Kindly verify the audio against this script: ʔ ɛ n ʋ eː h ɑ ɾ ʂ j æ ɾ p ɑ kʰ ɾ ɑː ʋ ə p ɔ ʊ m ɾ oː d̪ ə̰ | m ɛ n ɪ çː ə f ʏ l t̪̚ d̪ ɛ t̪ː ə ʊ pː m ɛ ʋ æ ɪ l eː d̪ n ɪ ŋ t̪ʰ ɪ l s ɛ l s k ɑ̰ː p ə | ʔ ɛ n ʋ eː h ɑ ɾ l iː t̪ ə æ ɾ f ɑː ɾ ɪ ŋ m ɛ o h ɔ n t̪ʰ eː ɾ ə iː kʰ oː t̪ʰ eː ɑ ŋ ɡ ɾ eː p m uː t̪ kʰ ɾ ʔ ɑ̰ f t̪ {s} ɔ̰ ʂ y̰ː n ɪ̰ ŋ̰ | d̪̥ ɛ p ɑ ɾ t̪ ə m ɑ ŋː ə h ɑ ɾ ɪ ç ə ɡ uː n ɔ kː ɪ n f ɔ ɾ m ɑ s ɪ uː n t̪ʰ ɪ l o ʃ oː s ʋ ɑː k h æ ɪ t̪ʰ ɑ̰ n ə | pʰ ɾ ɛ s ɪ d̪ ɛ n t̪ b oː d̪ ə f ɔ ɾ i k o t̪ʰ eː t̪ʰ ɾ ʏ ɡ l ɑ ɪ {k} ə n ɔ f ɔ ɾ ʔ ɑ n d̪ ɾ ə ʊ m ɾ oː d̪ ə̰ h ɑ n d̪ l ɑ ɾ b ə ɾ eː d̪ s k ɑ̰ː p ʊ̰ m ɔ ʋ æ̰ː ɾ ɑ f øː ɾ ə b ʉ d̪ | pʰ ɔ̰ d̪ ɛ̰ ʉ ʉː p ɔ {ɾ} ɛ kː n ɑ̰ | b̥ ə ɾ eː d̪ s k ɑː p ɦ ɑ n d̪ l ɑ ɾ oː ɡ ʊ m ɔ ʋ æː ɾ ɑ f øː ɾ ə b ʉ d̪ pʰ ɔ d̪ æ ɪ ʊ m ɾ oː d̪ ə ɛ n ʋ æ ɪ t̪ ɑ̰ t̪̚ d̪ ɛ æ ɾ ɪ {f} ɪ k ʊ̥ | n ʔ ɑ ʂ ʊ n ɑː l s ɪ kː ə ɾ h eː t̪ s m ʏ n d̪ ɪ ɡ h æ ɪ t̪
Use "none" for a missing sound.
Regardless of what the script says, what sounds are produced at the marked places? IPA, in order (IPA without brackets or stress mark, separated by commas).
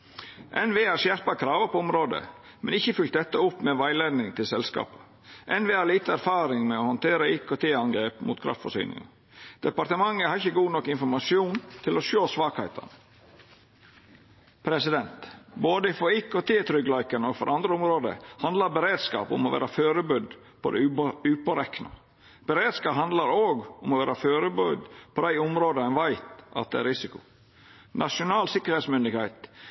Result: f, k, ɾ, s